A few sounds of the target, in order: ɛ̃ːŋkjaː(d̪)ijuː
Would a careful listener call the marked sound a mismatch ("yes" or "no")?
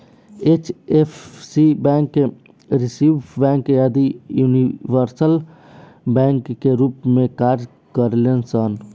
no